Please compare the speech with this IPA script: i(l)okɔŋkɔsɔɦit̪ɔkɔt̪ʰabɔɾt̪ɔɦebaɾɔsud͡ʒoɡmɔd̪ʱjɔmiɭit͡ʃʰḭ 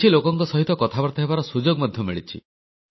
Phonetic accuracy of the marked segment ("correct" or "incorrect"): correct